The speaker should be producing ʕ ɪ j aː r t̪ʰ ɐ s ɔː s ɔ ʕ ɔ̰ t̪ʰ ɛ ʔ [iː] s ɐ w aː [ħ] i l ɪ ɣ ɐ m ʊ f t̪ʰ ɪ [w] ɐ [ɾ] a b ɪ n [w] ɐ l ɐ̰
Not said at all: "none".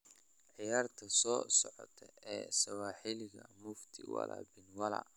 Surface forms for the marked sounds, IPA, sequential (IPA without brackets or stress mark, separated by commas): ɛː, ħ, w, l, w